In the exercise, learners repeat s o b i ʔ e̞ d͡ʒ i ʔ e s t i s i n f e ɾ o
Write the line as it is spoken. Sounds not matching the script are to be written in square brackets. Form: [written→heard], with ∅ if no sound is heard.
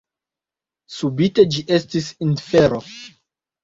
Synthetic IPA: s [o→u] b i [ʔ→t] e̞ d͡ʒ i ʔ e s t i s i n f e ɾ o